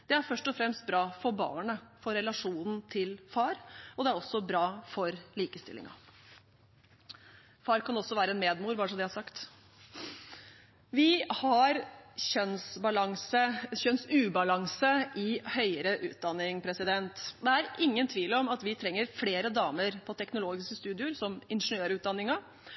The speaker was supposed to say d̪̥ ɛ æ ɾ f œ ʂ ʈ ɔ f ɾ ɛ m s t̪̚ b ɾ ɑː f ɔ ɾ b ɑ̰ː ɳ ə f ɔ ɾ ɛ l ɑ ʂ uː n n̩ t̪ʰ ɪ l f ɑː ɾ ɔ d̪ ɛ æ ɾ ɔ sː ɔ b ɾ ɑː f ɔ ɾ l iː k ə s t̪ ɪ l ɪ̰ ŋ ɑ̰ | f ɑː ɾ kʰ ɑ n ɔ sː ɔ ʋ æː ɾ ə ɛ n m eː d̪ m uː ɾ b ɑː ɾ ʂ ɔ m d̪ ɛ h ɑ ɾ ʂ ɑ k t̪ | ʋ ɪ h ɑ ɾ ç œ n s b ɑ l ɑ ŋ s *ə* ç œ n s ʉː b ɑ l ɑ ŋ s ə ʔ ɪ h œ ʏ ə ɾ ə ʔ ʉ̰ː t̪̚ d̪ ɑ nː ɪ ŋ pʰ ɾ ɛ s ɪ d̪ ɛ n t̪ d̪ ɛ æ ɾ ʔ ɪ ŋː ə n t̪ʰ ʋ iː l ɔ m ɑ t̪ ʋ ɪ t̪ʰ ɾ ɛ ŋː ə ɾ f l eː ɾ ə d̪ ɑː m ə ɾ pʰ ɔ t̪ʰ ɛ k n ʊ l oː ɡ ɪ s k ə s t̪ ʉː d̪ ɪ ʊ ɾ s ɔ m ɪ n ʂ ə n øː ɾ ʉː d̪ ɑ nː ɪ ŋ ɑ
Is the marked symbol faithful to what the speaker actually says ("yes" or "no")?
yes